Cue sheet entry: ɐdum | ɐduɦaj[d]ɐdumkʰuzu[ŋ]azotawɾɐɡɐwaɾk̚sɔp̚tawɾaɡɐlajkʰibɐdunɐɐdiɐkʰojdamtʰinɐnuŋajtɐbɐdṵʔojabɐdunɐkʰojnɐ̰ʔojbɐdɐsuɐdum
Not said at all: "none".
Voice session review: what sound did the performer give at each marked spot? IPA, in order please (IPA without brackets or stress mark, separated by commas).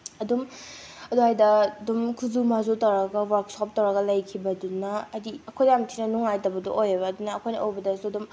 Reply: d, m